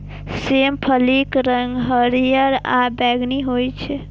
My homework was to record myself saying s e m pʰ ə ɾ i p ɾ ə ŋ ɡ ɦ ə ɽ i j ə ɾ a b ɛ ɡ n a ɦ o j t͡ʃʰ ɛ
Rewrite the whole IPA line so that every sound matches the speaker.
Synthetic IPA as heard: s e m pʰ ə l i k ɾ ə ŋ ɡ ɦ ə ɾ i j ə ɾ a b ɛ ɡ n i ɦ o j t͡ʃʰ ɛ